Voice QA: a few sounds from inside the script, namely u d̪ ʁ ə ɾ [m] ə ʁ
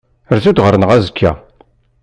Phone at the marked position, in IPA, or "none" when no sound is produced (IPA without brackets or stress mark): n